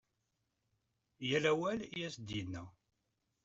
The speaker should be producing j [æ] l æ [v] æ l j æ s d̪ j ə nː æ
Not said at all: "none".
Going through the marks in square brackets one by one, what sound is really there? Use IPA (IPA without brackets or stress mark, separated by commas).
æ, w